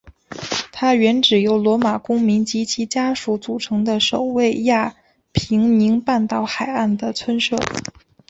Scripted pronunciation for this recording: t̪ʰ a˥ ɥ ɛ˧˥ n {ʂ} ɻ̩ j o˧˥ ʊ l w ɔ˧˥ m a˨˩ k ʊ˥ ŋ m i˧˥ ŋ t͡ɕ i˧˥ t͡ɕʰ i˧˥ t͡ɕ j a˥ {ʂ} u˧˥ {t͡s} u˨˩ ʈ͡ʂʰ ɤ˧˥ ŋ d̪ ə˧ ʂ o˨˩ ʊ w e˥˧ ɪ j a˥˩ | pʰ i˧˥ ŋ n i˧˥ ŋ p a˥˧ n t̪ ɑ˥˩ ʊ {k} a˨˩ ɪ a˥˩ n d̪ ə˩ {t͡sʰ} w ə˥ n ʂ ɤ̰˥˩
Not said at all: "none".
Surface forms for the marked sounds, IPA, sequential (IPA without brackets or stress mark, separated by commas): ʈ͡ʂ, ʂ, t͡s, x, t͡sʰ